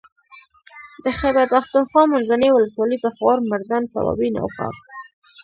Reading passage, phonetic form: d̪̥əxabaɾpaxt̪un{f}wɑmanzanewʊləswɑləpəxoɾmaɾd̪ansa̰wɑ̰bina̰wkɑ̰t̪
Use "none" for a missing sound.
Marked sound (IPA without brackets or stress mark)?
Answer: x